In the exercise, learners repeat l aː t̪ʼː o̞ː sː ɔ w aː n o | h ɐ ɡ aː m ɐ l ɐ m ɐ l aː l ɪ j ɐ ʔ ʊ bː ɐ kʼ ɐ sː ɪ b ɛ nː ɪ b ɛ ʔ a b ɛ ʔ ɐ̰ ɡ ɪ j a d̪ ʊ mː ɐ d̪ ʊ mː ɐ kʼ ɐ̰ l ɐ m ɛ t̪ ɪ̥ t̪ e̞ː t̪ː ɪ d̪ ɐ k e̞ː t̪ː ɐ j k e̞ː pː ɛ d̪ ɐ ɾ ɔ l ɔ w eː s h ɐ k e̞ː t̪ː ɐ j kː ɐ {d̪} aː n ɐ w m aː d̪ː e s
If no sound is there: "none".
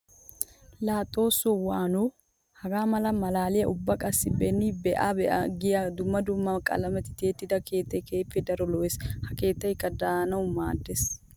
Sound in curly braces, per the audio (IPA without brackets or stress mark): d̪